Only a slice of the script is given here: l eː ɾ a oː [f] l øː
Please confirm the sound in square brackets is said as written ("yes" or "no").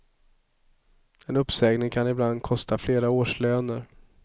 no